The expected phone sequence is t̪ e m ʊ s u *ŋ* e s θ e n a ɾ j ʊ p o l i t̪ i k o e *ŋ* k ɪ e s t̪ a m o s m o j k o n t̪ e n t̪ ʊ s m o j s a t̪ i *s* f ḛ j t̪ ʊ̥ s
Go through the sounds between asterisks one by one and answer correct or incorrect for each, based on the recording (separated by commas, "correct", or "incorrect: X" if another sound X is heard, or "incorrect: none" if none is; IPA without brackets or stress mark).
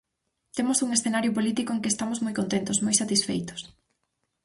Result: correct, correct, correct